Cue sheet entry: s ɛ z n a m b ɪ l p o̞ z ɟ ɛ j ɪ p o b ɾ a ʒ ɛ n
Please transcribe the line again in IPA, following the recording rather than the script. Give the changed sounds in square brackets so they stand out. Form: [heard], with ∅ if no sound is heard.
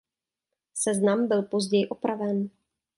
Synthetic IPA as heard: s ɛ z n a m b ɪ l p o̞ z ɟ ɛ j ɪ [ʔ] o [p] ɾ a [v] ɛ n